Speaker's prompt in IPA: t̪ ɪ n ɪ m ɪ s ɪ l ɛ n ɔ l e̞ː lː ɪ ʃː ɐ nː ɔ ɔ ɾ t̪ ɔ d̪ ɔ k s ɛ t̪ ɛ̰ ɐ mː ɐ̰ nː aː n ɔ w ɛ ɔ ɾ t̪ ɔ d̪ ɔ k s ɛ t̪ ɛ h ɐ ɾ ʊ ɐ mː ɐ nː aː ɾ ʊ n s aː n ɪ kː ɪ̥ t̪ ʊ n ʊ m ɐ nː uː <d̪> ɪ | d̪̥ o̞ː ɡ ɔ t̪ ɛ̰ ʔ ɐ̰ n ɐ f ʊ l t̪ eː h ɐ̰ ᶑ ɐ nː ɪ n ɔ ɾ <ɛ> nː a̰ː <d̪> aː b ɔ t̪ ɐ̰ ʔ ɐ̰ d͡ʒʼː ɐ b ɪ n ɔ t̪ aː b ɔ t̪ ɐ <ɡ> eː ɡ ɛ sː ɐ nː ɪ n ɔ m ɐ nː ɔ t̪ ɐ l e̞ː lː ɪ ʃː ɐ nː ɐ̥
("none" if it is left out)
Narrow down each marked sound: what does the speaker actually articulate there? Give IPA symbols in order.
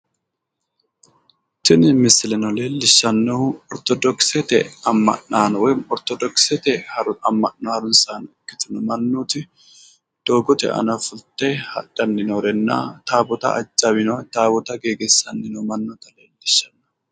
t̪, ɛ, t̪, ɡ

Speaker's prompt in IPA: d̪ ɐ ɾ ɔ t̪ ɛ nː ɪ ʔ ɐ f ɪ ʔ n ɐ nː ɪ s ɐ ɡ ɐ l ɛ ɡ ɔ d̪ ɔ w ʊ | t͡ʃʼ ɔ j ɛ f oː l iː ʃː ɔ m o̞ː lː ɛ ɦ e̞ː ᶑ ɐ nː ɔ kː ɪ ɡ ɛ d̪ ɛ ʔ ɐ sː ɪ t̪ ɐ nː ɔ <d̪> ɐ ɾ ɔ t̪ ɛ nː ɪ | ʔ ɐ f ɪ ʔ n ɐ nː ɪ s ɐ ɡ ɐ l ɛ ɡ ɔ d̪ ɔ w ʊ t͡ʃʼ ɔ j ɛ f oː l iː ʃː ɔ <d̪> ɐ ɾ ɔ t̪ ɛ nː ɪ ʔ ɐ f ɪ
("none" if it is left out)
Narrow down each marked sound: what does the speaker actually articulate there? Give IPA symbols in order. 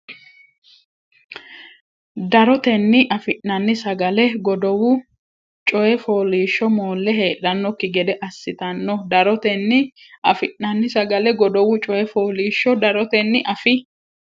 d̪, d̪

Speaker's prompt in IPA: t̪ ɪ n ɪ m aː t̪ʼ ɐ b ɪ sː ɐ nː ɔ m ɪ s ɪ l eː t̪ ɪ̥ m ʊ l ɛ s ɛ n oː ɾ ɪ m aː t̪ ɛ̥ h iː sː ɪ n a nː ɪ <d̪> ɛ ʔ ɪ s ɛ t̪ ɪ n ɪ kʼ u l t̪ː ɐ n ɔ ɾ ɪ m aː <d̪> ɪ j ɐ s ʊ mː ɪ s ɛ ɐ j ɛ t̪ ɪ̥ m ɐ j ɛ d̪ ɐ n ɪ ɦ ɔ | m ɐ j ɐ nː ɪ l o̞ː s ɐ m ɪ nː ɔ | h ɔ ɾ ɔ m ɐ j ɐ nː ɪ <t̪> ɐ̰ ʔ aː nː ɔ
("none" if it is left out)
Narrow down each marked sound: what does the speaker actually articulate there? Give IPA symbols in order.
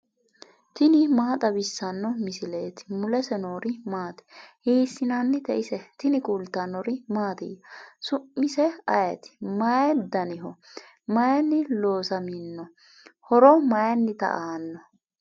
t̪, t̪, t̪

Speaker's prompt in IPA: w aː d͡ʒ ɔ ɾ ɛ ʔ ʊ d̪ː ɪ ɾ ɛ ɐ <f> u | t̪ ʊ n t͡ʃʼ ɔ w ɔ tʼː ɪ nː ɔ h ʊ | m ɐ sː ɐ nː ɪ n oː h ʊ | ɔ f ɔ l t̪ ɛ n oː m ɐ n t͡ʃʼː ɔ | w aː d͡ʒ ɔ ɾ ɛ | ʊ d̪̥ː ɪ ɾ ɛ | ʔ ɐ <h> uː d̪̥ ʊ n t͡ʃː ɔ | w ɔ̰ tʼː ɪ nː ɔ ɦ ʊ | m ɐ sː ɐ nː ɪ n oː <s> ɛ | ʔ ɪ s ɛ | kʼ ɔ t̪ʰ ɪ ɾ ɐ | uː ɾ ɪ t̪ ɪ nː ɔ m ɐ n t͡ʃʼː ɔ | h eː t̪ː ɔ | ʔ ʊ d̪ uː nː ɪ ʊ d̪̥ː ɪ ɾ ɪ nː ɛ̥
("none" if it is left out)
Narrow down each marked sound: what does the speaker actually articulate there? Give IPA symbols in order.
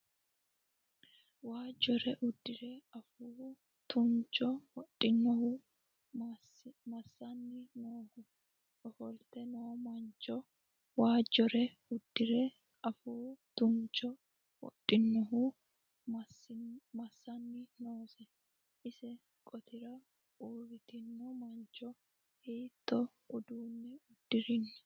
f, f, s

